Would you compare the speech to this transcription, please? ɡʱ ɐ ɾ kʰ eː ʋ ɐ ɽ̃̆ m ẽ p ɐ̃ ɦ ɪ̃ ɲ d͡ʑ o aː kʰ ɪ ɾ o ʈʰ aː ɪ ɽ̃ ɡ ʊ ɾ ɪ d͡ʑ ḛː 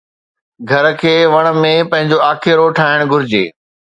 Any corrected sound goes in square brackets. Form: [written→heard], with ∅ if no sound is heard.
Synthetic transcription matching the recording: ɡʱ ɐ ɾ kʰ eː ʋ ɐ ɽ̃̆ m ẽ p ɐ̃ ɦ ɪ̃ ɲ d͡ʑ o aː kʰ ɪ ɾ o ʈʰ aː ɪ ɽ̃ ɡ ʊ ɾ ɪ d͡ʑ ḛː